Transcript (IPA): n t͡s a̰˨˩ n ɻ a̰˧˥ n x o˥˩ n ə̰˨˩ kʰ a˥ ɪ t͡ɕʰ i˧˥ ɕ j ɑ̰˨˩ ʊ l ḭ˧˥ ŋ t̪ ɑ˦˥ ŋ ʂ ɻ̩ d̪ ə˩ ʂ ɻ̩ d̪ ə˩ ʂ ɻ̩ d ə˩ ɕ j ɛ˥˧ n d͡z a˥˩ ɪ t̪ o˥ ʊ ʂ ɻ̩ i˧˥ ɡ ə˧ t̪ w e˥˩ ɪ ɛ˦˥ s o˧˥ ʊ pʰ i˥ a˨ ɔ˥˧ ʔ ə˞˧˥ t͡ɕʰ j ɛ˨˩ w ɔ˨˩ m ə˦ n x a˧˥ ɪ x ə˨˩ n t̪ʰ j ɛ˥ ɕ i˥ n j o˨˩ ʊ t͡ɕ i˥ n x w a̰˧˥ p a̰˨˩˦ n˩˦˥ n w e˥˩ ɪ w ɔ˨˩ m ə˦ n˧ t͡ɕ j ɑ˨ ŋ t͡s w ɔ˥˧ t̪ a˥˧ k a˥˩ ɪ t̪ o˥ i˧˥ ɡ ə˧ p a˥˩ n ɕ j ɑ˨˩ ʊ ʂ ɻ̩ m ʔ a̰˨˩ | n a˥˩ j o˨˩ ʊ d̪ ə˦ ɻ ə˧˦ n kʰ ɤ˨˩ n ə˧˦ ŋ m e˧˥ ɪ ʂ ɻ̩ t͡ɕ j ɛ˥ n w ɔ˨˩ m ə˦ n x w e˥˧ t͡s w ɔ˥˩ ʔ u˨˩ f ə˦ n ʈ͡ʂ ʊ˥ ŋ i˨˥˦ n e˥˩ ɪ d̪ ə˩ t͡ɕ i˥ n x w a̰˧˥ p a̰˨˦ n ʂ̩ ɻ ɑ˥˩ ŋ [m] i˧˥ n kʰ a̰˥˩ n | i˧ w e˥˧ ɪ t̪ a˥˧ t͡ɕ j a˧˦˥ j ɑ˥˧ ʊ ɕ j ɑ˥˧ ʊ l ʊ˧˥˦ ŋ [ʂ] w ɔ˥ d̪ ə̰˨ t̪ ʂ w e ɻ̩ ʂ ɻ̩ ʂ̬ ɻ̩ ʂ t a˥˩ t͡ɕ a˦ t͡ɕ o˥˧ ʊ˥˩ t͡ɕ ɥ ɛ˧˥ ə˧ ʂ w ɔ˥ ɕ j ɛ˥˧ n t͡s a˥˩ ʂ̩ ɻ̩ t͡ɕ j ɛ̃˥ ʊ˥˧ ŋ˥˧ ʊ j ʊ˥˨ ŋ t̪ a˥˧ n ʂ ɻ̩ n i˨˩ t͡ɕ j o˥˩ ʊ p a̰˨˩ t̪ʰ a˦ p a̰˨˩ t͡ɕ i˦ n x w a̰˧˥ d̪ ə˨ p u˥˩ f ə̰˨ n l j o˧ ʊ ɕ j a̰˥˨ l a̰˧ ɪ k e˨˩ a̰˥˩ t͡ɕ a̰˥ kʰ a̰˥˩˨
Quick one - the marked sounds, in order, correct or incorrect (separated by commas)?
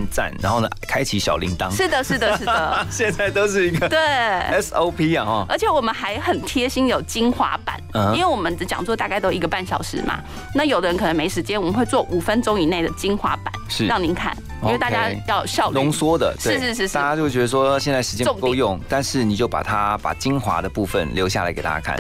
incorrect, incorrect